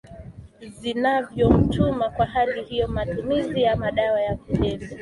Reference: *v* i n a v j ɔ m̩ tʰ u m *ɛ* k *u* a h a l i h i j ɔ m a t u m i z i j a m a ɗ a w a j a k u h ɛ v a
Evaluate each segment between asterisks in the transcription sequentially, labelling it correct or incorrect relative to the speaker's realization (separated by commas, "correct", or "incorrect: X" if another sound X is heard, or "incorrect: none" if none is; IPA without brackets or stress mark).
incorrect: z, incorrect: a, incorrect: w